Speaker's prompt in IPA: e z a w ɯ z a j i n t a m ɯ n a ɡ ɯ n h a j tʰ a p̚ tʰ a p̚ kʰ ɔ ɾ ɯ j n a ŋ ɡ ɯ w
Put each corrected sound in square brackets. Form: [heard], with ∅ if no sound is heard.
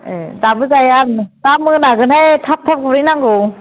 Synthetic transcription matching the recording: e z a [b] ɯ z a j [a] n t a m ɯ n a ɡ ɯ n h a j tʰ a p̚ tʰ a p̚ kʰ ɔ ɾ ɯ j n a ŋ ɡ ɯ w